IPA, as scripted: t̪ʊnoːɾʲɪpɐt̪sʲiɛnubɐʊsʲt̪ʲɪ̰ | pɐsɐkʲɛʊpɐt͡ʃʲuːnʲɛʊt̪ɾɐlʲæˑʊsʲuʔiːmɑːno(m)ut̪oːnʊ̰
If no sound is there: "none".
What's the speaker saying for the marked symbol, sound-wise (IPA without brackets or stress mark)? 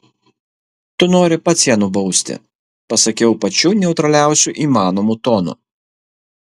m